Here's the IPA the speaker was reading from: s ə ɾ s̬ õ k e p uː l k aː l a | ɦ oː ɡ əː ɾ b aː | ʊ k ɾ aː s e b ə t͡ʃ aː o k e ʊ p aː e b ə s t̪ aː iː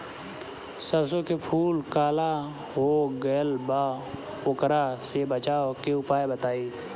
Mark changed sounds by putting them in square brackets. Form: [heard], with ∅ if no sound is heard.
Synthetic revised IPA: s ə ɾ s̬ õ k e [pʰ] uː l k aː l a | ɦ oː ɡ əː [l] b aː | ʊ k ɾ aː s e b ə t͡ʃ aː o k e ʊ p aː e b ə [∅] t̪ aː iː